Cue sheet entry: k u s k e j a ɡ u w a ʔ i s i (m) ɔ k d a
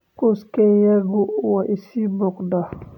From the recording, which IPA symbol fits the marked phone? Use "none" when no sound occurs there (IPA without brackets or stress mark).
b